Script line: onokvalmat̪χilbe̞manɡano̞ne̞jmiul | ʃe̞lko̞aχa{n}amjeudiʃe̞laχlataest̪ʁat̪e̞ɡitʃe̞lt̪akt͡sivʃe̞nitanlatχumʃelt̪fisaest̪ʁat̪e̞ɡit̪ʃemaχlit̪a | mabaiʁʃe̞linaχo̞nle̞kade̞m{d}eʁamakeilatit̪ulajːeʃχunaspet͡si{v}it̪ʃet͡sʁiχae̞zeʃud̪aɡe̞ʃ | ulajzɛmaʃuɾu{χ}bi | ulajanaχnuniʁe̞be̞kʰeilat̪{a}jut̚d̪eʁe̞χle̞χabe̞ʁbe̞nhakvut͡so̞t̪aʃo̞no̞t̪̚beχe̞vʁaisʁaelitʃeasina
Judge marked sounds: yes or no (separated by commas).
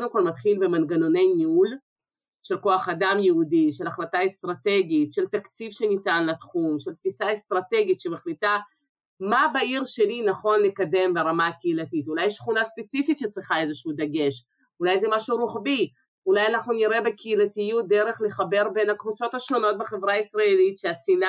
no, no, no, yes, no